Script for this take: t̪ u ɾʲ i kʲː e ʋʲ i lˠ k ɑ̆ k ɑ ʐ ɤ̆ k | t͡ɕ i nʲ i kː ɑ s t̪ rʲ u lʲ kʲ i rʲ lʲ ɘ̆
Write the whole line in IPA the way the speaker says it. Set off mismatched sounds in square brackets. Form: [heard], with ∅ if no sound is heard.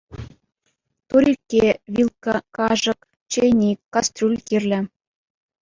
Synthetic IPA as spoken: t̪ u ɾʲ i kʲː e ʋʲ i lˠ k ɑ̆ k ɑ ʐ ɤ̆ k | t͡ɕ [e] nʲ i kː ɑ s t̪ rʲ u lʲ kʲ i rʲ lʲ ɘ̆